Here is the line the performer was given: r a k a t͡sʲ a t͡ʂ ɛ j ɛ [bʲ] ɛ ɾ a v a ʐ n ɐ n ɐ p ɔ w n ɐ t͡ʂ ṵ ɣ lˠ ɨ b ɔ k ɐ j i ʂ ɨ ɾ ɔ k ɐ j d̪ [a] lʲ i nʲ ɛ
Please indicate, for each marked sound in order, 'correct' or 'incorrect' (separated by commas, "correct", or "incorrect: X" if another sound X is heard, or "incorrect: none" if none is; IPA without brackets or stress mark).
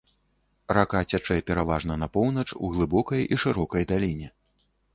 incorrect: pʲ, correct